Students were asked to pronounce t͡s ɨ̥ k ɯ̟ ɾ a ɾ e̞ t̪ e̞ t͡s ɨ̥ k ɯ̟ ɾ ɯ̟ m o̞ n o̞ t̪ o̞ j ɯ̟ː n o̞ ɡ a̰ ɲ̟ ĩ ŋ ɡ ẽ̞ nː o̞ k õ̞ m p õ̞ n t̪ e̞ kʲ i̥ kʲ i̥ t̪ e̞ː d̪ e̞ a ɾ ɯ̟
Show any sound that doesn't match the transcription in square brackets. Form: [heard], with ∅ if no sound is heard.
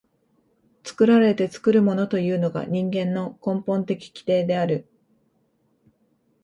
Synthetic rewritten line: t͡s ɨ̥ k ɯ̟ ɾ a ɾ e̞ t̪ e̞ t͡s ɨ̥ k ɯ̟ ɾ ɯ̟ m o̞ n o̞ t̪ o̞ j ɯ̟ː n o̞ ɡ a̰ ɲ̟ ĩ ŋ ɡ ẽ̞ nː o̞ k õ̞ m p õ̞ n t̪ e̞ kʲ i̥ kʲ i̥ t̪ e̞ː d̪ e̞ a ɾ ɯ̟

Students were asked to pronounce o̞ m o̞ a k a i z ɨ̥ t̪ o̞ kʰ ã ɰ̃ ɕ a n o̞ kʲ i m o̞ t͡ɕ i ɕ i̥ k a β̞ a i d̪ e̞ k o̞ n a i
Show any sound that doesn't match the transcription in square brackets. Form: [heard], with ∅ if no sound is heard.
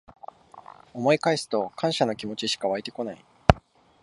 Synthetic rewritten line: o̞ m o̞ [i] k a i [s] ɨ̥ t̪ o̞ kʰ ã ɰ̃ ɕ a n o̞ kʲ i m o̞ t͡ɕ i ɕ i̥ k a β̞ a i [t̪] e̞ k o̞ n a i

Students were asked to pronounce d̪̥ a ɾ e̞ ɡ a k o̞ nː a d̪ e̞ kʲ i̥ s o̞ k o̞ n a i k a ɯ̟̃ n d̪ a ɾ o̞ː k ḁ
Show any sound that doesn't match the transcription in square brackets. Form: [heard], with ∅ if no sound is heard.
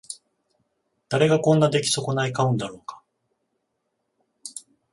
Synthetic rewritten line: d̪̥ a ɾ e̞ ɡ a k [õ̞] nː a d̪ e̞ kʲ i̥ s o̞ k o̞ n a i k a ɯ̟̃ n d̪ a ɾ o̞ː k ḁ

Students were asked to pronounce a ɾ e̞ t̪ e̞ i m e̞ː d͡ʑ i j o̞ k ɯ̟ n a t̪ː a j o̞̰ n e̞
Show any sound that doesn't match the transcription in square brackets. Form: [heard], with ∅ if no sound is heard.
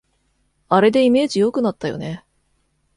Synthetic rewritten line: a ɾ e̞ [d̪] e̞ i m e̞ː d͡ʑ i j o̞ k ɯ̟ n a t̪ː a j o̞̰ n e̞

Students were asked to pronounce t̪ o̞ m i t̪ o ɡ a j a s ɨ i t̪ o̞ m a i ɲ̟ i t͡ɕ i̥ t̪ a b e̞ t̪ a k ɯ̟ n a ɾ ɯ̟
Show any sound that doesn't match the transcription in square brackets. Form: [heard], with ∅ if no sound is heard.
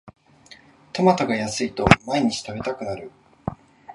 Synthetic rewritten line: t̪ o̞ m [a] t̪ o ɡ a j a s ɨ i t̪ o̞ m a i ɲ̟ i t͡ɕ i̥ t̪ a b e̞ t̪ a k ɯ̟ n a ɾ ɯ̟

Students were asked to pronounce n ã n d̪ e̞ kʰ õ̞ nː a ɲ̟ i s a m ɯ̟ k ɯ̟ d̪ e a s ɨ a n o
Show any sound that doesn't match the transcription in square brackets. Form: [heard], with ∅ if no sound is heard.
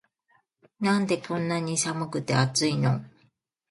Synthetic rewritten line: n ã n d̪ e̞ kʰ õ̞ nː a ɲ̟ i s a m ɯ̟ k ɯ̟ [t̪] e a [t͡s] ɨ [i] n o

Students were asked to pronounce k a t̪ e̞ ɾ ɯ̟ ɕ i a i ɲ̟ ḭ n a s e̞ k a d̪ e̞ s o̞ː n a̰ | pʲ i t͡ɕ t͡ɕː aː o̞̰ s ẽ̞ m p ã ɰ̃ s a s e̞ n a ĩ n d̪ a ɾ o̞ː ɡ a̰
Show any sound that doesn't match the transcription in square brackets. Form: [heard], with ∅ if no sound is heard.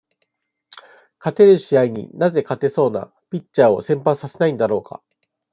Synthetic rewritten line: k a t̪ e̞ ɾ ɯ̟ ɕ i a i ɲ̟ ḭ n a [z] e̞ k a [t̪] e̞ s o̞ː n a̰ | pʲ i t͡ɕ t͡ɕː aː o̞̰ s ẽ̞ m p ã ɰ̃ s a s e̞ n a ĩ n d̪ a ɾ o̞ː [k] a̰

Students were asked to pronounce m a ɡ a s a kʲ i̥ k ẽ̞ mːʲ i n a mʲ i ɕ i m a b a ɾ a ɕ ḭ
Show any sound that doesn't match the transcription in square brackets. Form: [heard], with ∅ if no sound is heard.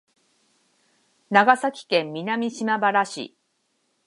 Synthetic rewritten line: [n] a ɡ a s a kʲ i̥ k ẽ̞ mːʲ i n a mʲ i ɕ i m a b a ɾ a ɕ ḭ

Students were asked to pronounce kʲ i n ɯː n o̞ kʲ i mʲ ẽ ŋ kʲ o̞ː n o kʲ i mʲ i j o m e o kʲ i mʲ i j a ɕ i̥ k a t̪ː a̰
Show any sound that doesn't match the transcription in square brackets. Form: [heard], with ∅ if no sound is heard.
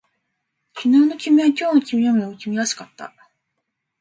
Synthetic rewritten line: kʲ i n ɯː n o̞ kʲ i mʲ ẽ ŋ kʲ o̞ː n o kʲ i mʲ i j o m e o kʲ i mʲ i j a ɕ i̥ k a t̪ː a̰

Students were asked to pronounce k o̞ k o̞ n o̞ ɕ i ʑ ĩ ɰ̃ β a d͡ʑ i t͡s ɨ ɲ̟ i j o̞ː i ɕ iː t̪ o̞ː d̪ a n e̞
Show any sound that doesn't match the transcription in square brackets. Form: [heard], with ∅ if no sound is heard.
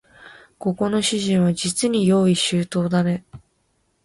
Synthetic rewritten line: k o̞ k o̞ n o̞ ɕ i ʑ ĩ ɰ̃ β a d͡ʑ i t͡s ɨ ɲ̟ i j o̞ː i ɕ [ɨː] t̪ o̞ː d̪ a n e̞

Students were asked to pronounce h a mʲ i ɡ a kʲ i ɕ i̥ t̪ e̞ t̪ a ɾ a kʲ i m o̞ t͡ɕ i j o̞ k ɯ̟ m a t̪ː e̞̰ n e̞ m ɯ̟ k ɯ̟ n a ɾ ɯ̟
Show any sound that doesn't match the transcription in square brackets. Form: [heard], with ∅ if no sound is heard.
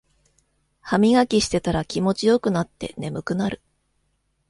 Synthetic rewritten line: h a mʲ i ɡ a kʲ i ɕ i̥ t̪ e̞ t̪ a ɾ a kʲ i m o̞ t͡ɕ i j o̞ k ɯ̟ [n] a t̪ː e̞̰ n e̞ m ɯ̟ k ɯ̟ n a ɾ ɯ̟

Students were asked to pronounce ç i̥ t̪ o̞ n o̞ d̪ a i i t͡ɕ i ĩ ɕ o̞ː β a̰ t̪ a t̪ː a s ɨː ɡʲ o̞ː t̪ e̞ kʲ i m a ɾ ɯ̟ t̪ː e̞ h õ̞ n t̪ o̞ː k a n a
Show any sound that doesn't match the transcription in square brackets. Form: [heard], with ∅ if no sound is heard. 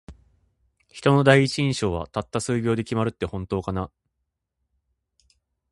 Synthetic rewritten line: ç i̥ t̪ o̞ n o̞ d̪ a i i t͡ɕ i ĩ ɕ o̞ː β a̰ t̪ a t̪ː a s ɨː ɡʲ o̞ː [d̪] e̞ kʲ i m a ɾ ɯ̟ t̪ː e̞ h õ̞ n t̪ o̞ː k a n a

